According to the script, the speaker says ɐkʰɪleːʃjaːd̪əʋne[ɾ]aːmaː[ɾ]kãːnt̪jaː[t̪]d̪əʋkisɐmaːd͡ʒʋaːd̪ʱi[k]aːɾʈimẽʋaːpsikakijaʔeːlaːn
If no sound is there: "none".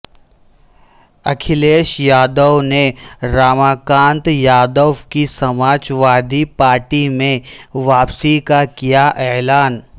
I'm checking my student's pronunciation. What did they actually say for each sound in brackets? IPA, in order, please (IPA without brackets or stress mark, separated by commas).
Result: ɾ, none, none, p